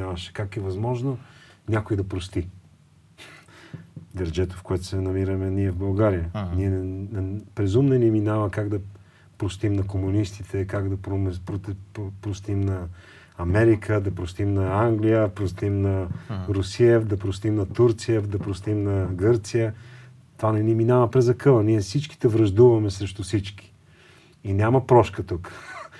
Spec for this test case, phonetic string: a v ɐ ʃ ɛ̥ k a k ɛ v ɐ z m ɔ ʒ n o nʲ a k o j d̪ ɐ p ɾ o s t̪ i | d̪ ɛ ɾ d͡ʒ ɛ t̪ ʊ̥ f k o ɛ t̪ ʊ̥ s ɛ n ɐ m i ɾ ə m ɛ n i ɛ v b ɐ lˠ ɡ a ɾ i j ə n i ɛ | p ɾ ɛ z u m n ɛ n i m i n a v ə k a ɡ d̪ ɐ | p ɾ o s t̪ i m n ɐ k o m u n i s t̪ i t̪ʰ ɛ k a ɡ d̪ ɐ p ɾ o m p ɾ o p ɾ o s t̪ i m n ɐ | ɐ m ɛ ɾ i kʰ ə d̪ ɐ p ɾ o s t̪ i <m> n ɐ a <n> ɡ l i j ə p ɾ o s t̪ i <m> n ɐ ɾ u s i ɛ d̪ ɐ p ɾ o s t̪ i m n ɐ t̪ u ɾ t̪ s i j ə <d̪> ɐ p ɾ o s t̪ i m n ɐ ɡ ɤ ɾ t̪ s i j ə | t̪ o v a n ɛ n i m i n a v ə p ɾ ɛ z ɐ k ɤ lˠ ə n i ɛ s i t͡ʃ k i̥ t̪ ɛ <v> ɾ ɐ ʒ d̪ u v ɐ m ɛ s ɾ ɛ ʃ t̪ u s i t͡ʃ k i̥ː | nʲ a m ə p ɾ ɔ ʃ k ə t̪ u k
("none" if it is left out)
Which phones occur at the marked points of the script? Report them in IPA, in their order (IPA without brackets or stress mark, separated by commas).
m, ŋ, m, d̪, v